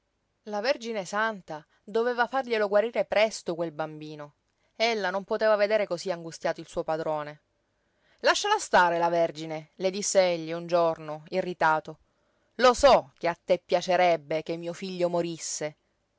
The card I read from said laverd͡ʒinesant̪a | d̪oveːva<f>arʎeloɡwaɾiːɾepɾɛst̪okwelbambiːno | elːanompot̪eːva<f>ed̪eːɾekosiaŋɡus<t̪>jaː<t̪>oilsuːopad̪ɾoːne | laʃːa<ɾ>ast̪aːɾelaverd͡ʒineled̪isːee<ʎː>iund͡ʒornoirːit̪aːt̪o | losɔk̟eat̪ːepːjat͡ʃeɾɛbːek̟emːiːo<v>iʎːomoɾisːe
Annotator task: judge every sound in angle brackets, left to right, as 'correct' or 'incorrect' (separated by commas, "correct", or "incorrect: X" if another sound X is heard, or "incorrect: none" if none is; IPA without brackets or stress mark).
correct, incorrect: v, correct, correct, incorrect: l, correct, incorrect: f